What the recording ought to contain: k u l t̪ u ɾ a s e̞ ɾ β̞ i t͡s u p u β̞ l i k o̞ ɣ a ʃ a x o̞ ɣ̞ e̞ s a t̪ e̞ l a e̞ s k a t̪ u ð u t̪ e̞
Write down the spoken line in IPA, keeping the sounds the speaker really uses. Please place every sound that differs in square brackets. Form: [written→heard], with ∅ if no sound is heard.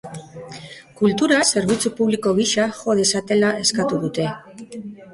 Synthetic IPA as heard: k u l t̪ u ɾ a s e̞ ɾ β̞ i t͡s u p u β̞ l i k o̞ ɣ [a→i] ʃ a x o̞ [ɣ̞→ð̞] e̞ s a t̪ e̞ l a e̞ s k a t̪ u ð u t̪ e̞